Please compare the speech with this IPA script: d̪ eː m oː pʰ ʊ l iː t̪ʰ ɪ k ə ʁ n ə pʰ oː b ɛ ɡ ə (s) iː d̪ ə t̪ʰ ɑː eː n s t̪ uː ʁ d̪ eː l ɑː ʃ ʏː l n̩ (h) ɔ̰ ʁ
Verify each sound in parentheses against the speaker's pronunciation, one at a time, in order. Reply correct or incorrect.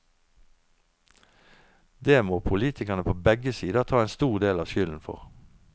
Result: correct, incorrect: f

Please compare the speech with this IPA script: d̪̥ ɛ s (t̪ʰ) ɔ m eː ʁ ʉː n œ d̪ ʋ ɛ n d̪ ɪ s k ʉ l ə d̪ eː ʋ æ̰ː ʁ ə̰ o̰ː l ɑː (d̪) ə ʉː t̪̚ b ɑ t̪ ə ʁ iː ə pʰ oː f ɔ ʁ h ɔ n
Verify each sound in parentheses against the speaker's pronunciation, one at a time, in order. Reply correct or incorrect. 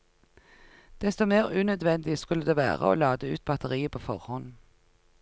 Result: incorrect: t̪, correct

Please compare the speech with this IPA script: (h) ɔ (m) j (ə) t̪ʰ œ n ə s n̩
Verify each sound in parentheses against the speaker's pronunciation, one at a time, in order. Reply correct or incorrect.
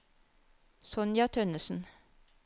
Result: incorrect: s, incorrect: n, incorrect: ɑ

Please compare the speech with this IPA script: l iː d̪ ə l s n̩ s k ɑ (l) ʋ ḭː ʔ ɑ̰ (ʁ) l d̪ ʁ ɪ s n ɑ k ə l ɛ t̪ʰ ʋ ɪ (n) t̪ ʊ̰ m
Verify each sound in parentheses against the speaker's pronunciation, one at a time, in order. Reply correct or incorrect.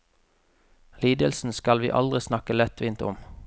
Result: correct, incorrect: none, correct

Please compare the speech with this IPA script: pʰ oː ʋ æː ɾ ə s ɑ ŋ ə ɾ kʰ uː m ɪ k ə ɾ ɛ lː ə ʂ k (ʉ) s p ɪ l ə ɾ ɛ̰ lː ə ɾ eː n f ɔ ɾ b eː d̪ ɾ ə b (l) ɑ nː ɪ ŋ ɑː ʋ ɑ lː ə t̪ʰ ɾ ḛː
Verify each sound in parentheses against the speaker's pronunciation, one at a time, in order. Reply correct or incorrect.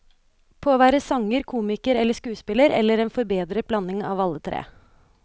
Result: incorrect: ʉː, correct

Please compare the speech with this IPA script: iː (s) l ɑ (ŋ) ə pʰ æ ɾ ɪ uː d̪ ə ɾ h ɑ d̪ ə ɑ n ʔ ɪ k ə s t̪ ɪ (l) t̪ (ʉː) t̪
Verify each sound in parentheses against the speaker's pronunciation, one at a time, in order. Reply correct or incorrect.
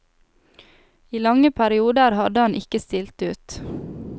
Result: incorrect: none, correct, correct, correct

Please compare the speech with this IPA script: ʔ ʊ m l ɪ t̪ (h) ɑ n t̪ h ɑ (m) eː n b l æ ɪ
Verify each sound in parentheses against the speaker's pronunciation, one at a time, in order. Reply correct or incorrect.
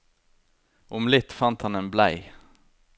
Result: incorrect: f, incorrect: n

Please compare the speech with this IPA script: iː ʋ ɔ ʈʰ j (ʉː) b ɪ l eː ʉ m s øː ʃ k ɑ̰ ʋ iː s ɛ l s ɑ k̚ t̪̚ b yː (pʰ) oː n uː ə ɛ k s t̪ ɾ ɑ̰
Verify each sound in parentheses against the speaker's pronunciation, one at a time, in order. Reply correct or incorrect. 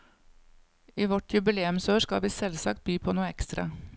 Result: incorrect: ʉ, correct

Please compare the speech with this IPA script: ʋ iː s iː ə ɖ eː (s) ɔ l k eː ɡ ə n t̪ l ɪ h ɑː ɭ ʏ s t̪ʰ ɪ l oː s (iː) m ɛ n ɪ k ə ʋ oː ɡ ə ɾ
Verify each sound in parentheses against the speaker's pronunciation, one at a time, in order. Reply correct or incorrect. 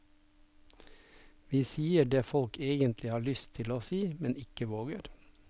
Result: incorrect: f, correct

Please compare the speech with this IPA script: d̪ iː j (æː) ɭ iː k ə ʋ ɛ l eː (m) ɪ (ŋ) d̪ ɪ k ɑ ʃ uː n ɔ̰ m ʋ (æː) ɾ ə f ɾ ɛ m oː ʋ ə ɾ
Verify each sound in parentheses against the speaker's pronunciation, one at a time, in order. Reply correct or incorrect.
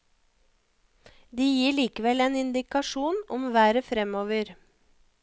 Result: incorrect: iː, incorrect: n, incorrect: n, correct

